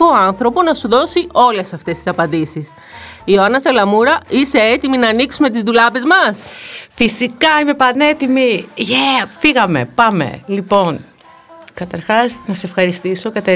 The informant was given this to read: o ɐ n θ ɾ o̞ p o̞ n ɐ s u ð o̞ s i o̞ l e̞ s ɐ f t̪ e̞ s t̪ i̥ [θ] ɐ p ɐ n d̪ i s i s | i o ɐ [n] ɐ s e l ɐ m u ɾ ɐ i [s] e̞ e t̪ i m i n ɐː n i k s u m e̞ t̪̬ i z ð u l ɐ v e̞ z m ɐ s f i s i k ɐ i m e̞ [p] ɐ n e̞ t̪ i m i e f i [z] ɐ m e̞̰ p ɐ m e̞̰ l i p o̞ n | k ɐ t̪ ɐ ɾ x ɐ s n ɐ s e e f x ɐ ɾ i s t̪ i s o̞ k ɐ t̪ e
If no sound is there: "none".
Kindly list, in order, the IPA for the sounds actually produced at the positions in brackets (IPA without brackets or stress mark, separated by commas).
s, n, s, p, ɣ